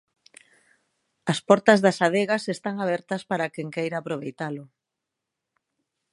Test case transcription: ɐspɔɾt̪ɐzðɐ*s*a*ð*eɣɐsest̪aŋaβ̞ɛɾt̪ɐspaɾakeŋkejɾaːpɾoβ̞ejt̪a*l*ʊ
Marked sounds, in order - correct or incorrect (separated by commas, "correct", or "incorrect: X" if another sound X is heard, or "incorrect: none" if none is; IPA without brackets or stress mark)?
correct, correct, correct